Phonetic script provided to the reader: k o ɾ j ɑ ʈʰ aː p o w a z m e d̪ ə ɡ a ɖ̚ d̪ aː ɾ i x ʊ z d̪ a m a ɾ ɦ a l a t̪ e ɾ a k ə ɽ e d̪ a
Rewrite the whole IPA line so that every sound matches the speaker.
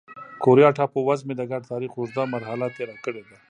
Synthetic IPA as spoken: k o ɾ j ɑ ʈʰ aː p o w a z m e d̪ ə ɡ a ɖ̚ t̪ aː ɾ i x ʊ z d̪ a m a ɾ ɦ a l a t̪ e ɾ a k ə ɽ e d̪ a

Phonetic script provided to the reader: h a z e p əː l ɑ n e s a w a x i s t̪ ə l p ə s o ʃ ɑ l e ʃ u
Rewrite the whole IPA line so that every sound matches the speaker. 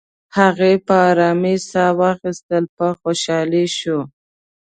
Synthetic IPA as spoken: h a ɣ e p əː ɾ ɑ m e s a w ɑ x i s t̪ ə l p ə x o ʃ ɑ l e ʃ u

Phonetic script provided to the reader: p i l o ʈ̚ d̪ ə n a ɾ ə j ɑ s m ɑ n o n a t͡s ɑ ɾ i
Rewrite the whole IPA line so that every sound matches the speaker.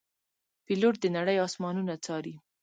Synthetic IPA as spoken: p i l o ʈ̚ d̪ ə n a ɽ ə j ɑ s m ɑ n u n a t͡s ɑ ɾ i

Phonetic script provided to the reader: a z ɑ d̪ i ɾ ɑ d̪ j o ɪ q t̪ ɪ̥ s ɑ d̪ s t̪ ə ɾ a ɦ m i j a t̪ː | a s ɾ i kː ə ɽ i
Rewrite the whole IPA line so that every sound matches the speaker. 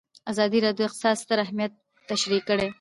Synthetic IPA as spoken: a z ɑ d̪ i ɾ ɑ d̪ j o ɪ q t̪ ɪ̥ s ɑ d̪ s t̪ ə ɾ a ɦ m i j a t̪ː | a ʃ ɾ i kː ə ɽ e

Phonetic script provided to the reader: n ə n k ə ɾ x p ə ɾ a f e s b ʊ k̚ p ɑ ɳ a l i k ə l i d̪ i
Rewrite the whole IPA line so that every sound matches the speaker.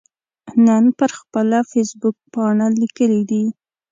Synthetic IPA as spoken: n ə n p ə ɾ x p ə l a f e s b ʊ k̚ p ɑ ɳ a l i k ə l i d̪ i

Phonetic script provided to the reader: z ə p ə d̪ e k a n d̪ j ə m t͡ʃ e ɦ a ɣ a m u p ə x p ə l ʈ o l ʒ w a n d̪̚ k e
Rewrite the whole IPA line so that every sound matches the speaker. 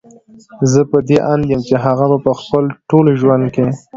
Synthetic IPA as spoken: z ə p ə d̪ e ʔ a n d̪ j ə m t͡ʃ e ɦ a ɣ a m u p ə x p ə l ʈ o l ʒ w a n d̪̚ k e

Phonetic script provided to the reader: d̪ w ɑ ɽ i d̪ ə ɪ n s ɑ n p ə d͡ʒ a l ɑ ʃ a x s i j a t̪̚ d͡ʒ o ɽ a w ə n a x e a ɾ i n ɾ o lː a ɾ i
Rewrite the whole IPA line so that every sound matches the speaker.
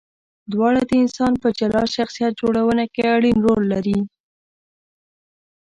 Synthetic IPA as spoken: d̪ w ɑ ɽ a d̪ ə ɪ n s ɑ n p ə d͡ʒ a l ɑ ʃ a x s i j a t̪̚ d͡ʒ o ɽ a w ə n a k e a ɽ i n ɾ o lː a ɾ i

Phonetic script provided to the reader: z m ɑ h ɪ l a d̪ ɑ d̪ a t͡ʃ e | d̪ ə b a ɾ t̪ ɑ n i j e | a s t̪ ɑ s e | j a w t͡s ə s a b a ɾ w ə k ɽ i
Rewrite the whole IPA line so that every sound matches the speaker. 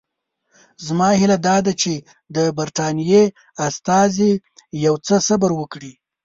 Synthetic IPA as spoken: z m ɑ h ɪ l a d̪ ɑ d̪ a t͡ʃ e | d̪ ə b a ɾ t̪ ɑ n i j e | a s t̪ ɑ z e | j a w t͡s ə s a b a ɾ w ə k ɽ i

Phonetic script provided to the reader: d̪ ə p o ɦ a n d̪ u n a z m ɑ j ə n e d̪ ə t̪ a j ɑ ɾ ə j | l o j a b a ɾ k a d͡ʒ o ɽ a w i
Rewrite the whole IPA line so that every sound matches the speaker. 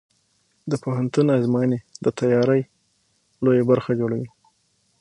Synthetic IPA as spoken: d̪ ə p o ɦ a n t̪ u n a z m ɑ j ə n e d̪ ə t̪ a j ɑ ɾ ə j | l o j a b a ɾ x a d͡ʒ o ɽ a w i

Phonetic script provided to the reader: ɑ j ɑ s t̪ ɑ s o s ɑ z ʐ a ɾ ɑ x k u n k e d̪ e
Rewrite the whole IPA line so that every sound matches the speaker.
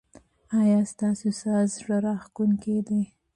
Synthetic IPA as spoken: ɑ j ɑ s t̪ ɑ s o s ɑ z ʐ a ɾ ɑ x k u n k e d̪ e

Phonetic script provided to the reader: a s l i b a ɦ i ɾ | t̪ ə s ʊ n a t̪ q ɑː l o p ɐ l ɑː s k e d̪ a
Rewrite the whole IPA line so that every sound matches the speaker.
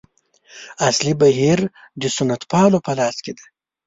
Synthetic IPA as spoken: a s l i b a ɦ i ɾ | d̪ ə s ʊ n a t̪ p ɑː l o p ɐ l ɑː s k e d̪ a

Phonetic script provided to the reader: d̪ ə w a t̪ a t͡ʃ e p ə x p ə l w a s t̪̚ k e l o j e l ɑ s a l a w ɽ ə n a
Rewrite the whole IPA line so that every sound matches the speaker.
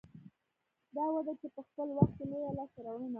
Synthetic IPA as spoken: d̪ ɑ w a d̪ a t͡ʃ e p ə x p ə l w a x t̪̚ k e l o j a l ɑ s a ɾ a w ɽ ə n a

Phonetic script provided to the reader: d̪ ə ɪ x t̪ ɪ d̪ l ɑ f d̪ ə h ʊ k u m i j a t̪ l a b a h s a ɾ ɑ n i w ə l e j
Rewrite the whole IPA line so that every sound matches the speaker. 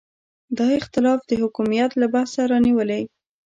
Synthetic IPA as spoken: d̪ ɑ ɪ x t̪ ɪ l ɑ f d̪ ə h ʊ k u m i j a t̪ l a b a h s a ɾ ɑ n i w ə l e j

